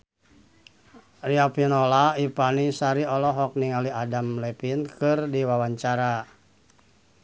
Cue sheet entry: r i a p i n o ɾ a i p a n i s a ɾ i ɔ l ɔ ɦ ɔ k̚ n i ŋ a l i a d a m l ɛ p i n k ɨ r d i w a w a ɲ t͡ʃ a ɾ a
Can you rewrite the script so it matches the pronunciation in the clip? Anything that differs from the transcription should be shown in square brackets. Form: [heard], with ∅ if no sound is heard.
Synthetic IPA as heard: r i a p i n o [l] a i p a n i s a ɾ i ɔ l ɔ ɦ ɔ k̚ n i ŋ a l i a d a m l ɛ p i n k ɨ r d i w a w a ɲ t͡ʃ a ɾ a